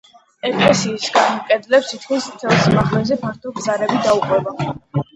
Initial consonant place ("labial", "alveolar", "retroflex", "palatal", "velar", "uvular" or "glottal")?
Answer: velar